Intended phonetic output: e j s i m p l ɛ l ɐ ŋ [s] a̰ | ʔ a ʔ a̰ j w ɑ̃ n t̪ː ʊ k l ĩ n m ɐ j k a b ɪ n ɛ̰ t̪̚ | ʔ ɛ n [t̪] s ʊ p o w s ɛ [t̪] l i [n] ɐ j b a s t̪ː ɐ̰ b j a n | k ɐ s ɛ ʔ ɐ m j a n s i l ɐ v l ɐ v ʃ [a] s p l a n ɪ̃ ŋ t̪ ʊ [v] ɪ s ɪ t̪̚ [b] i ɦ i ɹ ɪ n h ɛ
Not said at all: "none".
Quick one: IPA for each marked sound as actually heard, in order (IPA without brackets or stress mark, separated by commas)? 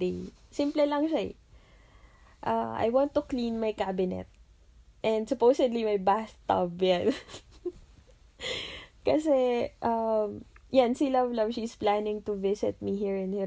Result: ʃ, d̪, d̪, m, i, v, m